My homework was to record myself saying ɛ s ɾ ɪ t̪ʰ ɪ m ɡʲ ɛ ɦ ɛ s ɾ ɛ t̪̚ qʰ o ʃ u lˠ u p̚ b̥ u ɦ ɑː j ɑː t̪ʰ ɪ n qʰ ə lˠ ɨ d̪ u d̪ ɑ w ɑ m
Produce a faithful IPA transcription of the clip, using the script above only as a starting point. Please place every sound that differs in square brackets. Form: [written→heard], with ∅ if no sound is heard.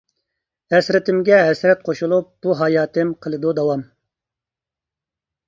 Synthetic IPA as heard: ɛ s ɾ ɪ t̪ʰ ɪ m ɡʲ ɛ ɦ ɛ s ɾ ɛ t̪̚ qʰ o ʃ u lˠ u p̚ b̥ u ɦ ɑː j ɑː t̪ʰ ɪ [n→m] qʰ ə lˠ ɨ d̪ u d̪ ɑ w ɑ m